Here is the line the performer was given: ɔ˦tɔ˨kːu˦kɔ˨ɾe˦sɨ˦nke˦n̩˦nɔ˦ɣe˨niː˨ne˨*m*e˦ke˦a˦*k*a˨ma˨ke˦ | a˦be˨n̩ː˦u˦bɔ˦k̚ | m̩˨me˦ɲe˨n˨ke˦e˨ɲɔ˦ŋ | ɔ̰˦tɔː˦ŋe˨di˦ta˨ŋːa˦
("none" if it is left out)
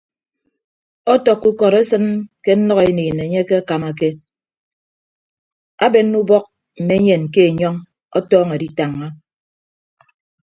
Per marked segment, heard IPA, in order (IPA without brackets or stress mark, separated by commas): ɲ, k